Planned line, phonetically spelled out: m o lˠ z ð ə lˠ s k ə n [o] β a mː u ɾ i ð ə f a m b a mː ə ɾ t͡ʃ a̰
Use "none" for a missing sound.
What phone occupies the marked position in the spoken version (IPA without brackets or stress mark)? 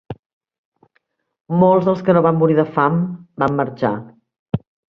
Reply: o